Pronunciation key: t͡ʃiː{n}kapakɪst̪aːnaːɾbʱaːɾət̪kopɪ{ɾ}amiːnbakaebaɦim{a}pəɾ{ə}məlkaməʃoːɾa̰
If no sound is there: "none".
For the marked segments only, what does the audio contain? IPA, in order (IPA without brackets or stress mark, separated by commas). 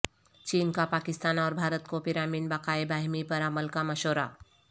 n, ɾ, i, a